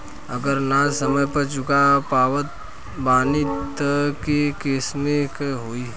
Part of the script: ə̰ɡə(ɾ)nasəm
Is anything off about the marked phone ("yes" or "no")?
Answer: no